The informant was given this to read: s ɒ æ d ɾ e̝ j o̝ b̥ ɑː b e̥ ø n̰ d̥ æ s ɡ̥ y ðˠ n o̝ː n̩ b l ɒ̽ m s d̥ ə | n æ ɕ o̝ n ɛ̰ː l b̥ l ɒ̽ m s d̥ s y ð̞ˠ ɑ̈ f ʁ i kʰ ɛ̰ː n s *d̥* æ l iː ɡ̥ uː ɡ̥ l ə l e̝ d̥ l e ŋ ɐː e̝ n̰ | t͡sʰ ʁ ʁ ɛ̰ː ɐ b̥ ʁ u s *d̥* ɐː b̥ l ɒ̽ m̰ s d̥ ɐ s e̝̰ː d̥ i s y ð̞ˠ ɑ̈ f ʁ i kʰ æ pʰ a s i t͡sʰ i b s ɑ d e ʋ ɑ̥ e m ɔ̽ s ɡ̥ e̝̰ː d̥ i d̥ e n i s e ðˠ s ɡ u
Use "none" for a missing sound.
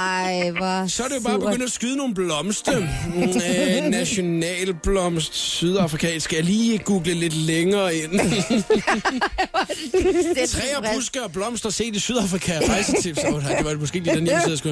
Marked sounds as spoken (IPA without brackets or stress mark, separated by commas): ɡ̥, ɡ̥